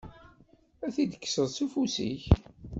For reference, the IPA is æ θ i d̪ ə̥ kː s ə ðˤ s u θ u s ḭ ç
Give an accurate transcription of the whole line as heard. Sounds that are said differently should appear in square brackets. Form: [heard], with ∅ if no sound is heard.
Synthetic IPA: æ θ i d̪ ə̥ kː s ə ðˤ s u [f] u s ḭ ç

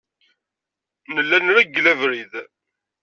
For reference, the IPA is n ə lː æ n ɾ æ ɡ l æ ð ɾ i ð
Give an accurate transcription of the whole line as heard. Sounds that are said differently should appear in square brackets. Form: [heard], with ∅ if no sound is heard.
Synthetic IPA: n ə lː æ n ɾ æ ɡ l æ [v] ɾ i ð

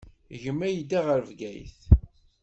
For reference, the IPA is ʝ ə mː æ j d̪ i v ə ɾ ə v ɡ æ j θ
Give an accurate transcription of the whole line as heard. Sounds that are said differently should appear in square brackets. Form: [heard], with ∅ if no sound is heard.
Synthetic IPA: ʝ ə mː æ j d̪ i [ʁ] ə ɾ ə v ɡ æ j θ

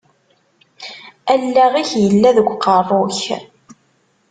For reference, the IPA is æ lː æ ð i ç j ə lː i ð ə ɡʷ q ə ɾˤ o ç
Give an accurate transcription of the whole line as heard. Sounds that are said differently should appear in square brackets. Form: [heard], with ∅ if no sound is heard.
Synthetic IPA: æ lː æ [ʁ] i ç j ə lː [æ] ð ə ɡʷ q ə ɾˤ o ç

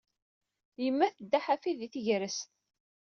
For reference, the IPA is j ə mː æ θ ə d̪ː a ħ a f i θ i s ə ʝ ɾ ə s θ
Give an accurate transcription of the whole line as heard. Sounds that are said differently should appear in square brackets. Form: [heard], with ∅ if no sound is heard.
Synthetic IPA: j ə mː æ θ ə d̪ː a ħ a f i [ð] i [θ] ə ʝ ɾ ə s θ

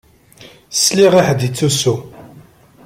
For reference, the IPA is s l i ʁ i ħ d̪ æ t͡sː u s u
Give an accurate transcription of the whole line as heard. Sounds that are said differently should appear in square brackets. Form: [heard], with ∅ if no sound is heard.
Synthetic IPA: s l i ʁ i ħ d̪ [i] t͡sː u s u

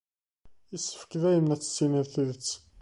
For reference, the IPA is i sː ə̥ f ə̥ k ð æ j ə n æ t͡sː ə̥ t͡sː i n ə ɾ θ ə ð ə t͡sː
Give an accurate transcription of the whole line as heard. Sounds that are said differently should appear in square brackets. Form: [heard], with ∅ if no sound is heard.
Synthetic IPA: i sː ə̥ f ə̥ k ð æ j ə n æ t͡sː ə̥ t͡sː i n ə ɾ θ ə ð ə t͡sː

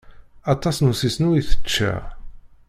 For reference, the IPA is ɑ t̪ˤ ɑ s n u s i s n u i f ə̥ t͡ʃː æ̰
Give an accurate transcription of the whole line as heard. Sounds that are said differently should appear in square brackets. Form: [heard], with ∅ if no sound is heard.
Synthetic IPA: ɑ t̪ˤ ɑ s n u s i s n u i [θ] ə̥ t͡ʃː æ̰

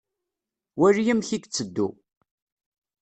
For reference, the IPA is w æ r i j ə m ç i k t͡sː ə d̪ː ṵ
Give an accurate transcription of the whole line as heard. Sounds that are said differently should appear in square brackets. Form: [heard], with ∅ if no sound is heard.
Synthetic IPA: w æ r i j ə m ç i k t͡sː ə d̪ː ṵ

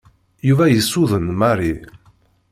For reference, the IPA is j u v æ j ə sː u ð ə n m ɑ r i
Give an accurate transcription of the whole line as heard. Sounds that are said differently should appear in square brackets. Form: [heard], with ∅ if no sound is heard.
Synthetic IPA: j u v æ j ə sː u ð ə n m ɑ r i

